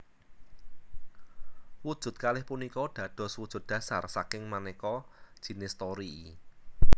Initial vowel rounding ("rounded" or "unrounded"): rounded